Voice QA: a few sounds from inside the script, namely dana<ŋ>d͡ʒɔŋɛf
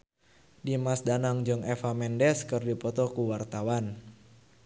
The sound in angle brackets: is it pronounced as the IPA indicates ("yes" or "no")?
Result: yes